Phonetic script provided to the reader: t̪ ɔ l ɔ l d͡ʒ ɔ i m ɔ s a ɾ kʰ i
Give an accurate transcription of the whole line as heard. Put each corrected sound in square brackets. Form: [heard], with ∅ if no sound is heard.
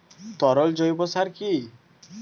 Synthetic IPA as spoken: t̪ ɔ [ɾ] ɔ l d͡ʒ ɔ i [b] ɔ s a ɾ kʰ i